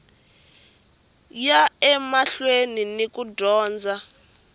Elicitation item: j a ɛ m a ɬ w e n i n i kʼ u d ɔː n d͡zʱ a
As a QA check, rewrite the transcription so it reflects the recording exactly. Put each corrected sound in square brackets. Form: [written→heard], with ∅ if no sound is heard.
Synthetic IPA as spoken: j a ɛ m a ɬ w e n i n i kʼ u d ɔː n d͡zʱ a